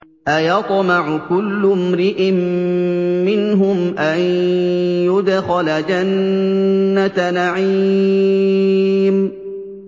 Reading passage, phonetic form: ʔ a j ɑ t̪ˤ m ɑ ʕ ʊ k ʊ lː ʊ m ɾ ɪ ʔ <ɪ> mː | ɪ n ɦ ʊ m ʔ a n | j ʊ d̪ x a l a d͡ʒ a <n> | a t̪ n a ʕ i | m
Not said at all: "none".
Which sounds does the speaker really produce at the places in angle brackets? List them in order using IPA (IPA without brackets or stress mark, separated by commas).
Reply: ɪ, nː